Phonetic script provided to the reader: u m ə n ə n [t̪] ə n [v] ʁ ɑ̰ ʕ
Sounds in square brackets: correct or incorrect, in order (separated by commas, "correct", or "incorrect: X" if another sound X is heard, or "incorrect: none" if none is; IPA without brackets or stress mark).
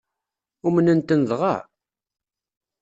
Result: correct, incorrect: ð